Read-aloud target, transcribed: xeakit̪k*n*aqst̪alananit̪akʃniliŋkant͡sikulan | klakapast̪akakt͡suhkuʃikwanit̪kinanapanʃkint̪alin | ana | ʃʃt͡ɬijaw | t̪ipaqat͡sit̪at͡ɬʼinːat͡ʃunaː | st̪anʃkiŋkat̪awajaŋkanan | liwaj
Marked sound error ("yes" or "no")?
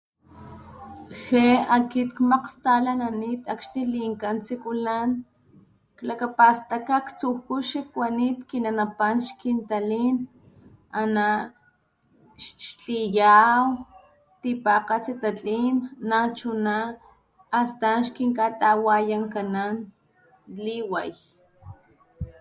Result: yes